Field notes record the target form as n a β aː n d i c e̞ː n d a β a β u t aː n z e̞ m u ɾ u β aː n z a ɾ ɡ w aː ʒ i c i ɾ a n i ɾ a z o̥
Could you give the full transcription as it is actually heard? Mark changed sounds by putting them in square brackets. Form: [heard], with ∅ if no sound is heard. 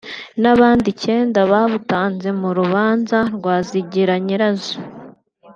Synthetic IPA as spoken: n a β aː n d i c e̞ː n d a β a β u t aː n z e̞ m u ɾ u β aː n z a ɾ ɡ w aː [z] i [ɟ] i ɾ a [ɲ] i ɾ a z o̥